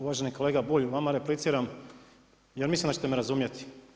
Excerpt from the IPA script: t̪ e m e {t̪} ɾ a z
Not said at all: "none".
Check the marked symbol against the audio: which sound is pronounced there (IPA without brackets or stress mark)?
none